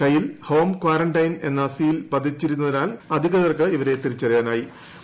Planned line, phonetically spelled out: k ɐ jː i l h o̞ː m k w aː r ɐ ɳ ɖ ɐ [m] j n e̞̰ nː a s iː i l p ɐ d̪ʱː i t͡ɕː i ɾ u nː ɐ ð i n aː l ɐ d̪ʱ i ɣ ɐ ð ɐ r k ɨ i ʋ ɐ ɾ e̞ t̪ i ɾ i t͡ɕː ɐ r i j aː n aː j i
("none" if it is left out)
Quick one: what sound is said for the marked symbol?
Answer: none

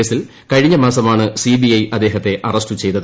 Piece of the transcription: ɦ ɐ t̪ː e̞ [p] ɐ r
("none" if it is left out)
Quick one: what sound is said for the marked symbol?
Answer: ʔ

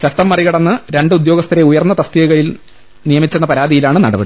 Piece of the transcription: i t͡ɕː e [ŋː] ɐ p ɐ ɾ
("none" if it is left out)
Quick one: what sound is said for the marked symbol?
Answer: nː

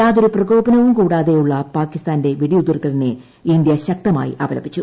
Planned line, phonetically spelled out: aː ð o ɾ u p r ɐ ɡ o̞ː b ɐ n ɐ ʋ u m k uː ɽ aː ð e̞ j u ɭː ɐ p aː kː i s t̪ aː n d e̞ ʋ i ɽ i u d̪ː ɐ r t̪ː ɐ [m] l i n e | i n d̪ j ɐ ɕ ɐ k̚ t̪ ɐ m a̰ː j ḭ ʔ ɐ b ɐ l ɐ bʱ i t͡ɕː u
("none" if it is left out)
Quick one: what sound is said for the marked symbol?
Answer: none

